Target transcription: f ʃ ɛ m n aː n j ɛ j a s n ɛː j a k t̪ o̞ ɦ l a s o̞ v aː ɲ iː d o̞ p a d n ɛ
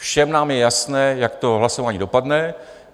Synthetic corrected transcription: f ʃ ɛ m n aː m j ɛ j a s n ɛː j a k t̪ o̞ ɦ l a s o̞ v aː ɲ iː d o̞ p a d n ɛ